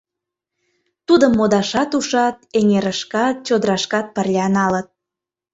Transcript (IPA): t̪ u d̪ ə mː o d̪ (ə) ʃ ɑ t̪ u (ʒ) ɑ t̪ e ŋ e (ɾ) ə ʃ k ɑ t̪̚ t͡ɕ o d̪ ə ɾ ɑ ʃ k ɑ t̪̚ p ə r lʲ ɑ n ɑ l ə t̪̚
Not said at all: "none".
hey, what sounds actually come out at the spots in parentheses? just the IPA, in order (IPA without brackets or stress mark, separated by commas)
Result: ɑ, ʃ, ɾ